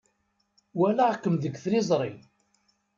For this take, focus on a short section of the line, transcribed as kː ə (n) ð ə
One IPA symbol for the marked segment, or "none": m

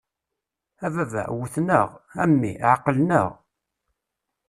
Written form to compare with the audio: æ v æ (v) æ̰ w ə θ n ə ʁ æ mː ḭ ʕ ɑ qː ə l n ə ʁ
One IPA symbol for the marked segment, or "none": v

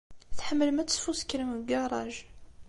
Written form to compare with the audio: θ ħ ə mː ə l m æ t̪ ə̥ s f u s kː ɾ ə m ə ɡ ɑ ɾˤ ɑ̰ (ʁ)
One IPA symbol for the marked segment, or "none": ʒ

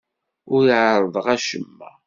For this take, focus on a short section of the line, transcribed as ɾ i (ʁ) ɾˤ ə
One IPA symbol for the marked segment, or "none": ʕ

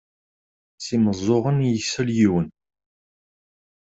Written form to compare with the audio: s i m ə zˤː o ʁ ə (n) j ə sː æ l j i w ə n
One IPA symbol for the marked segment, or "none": n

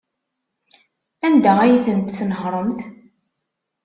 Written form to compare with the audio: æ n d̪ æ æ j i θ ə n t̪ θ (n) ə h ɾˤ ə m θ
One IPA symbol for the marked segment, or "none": n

